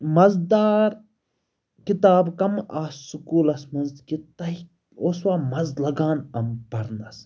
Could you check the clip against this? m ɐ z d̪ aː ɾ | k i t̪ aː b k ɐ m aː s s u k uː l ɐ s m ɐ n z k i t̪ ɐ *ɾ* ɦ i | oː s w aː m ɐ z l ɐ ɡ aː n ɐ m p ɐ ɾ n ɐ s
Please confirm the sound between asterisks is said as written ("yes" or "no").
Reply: no